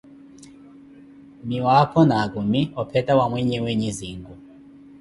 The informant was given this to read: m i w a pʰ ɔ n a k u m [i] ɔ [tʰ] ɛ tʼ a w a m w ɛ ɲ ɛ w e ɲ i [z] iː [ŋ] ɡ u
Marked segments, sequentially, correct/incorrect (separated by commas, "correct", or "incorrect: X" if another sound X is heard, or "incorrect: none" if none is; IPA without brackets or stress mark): correct, incorrect: pʰ, correct, correct